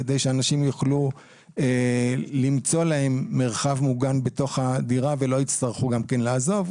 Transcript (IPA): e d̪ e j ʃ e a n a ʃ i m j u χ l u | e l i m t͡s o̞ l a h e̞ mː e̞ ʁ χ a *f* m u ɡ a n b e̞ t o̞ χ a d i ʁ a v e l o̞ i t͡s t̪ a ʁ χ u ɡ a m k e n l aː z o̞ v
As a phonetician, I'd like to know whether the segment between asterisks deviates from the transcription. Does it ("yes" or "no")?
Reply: yes